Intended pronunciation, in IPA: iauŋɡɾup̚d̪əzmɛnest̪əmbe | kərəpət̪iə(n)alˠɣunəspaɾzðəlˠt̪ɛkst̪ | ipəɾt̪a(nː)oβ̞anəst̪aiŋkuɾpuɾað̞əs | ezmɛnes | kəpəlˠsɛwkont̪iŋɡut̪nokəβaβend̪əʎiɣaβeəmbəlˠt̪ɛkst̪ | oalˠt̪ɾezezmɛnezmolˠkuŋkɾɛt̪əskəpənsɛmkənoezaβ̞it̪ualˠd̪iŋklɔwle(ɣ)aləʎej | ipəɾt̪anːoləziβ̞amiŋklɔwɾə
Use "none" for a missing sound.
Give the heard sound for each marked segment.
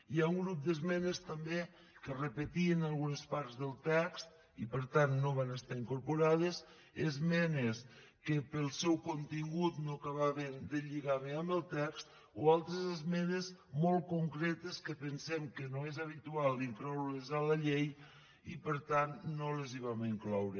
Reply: n, nː, z

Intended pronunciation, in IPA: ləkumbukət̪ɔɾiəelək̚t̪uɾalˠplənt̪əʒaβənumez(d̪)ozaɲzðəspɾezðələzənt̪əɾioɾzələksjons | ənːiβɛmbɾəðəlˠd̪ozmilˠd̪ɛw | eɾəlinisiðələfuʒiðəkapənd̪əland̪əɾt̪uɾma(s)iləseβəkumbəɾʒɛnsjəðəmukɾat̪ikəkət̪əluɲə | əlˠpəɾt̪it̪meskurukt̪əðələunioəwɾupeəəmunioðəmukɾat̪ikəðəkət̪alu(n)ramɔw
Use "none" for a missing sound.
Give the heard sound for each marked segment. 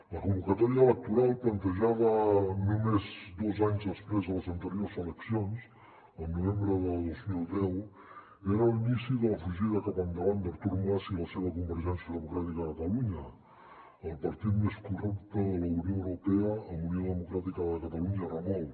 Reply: d̪, s, ɲ

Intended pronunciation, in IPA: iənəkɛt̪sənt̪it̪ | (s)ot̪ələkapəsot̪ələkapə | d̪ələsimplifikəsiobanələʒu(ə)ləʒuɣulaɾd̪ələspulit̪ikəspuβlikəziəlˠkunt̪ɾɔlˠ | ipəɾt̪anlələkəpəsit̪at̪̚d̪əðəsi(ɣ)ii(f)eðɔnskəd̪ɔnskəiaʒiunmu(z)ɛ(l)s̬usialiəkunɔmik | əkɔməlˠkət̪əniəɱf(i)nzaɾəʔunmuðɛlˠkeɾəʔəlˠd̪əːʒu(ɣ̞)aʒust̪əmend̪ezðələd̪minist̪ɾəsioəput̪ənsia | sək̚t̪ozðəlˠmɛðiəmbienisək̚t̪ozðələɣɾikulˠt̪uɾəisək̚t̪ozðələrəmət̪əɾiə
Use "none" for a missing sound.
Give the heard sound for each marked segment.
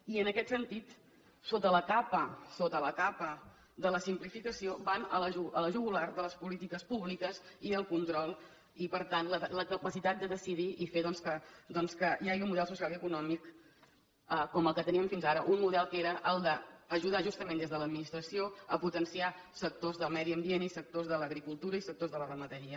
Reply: s, ə, ð, f, ð, l, i, ð̞

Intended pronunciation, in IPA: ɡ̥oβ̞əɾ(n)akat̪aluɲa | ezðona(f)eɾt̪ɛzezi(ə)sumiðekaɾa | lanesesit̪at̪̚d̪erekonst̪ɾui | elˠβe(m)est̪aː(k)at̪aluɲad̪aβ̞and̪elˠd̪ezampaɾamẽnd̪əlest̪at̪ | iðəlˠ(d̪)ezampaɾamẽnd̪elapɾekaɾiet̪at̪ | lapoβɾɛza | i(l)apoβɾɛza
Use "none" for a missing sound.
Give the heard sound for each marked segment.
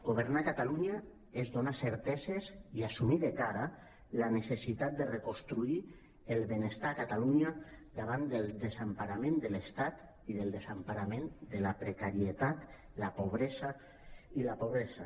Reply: n, s, a, n, k, d̪, l

